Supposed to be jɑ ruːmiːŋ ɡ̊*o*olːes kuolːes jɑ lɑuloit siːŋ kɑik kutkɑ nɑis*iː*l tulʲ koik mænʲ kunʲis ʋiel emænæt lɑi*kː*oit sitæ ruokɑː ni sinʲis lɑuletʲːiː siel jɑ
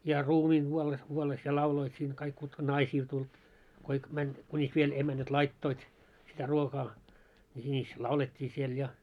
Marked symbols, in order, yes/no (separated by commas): no, yes, no